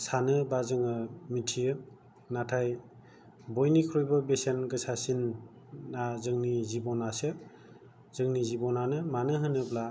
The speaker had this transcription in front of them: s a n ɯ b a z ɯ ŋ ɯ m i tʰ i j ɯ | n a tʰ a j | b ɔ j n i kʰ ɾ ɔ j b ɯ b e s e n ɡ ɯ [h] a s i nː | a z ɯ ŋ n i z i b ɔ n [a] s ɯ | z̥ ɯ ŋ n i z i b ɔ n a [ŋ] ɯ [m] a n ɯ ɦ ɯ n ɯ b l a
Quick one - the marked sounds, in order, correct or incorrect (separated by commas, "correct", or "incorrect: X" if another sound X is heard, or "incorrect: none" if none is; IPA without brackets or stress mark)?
incorrect: s, correct, incorrect: n, correct